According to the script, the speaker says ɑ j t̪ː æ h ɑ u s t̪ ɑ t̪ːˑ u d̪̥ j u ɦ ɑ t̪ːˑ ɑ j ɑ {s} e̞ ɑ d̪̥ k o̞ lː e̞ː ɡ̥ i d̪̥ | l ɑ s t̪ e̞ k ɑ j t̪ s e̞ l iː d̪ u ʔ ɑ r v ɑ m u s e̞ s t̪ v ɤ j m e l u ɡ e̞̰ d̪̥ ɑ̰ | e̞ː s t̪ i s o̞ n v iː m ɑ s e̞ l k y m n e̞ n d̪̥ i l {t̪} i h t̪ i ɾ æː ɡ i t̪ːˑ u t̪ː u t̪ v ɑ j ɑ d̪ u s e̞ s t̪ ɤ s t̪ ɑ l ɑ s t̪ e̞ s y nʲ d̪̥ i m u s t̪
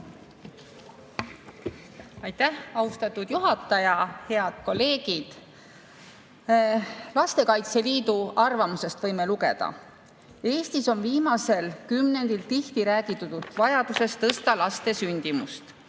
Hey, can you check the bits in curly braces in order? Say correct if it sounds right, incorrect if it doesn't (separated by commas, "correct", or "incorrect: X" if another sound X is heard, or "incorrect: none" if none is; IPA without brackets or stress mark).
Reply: incorrect: h, correct